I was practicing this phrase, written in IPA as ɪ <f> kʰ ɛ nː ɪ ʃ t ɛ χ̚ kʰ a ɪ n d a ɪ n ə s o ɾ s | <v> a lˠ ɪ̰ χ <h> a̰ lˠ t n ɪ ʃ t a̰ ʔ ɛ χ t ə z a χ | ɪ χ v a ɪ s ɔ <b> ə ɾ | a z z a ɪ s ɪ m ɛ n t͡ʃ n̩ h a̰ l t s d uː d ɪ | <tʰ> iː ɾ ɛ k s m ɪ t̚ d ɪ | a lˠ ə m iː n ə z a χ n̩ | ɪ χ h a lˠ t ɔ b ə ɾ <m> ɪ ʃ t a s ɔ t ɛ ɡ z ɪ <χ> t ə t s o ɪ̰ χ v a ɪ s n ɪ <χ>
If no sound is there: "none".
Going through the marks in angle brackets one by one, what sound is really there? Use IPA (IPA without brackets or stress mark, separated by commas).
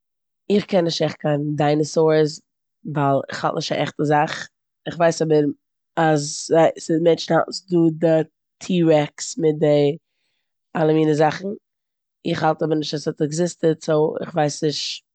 χ, v, h, b, tʰ, n, s, ʃ